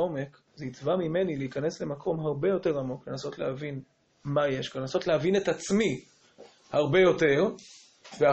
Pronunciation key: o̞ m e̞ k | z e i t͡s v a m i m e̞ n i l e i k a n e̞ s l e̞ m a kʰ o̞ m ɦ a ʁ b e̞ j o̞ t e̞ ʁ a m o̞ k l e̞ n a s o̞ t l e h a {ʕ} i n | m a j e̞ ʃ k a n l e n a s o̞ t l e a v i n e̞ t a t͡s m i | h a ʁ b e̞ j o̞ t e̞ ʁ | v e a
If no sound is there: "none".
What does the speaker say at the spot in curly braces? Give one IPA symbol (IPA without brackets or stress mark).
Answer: v